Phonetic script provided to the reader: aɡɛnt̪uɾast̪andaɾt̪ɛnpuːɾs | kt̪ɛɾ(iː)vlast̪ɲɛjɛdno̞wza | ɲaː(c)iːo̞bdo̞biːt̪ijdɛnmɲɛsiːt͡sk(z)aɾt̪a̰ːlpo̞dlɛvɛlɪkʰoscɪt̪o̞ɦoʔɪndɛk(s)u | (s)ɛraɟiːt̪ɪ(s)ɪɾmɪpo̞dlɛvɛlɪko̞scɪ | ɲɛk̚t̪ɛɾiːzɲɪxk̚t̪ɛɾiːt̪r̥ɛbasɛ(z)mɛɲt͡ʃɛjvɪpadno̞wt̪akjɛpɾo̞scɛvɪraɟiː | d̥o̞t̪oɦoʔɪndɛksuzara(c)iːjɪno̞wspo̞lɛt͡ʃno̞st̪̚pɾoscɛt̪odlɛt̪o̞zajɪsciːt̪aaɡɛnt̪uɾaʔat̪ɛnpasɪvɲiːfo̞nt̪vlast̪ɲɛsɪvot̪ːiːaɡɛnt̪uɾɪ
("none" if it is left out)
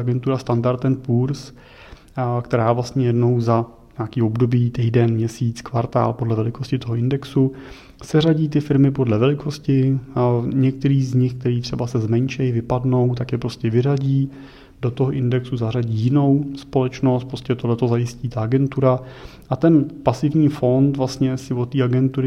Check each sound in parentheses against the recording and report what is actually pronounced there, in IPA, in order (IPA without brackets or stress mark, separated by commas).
aː, k, v, s, s, f, z, ɟ